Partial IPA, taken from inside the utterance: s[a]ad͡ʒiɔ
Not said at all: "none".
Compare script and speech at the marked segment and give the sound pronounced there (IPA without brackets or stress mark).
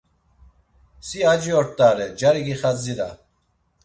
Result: i